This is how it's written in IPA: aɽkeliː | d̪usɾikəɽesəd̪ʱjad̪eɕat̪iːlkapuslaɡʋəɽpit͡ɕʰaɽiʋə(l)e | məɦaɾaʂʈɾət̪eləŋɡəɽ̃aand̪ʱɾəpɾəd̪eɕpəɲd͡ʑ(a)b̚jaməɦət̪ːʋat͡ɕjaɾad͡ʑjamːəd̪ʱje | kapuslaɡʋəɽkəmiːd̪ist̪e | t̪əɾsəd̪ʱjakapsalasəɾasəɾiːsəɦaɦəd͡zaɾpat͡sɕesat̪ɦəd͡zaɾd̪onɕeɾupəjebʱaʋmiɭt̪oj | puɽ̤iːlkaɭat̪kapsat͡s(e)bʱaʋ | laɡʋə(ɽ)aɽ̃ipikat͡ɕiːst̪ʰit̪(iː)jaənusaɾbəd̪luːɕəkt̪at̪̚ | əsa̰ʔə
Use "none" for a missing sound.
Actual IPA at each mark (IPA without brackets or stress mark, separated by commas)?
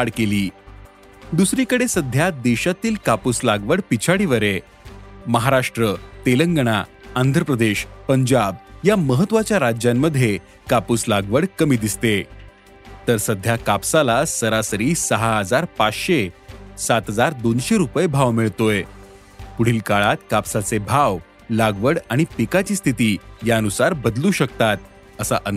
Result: ɾ, a, e, ɽ, iː